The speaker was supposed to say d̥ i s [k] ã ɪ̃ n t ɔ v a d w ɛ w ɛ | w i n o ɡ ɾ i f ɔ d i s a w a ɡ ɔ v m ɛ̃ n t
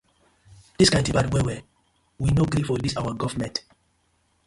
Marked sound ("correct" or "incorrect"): correct